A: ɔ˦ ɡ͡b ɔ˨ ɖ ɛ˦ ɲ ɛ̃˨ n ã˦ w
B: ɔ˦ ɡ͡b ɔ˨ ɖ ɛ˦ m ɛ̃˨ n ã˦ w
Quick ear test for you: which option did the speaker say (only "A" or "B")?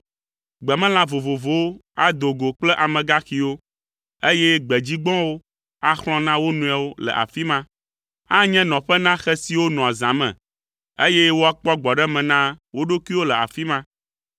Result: B